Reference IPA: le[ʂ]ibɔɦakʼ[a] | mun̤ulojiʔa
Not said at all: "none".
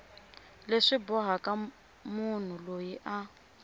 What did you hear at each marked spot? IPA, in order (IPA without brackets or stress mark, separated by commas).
ʂ, a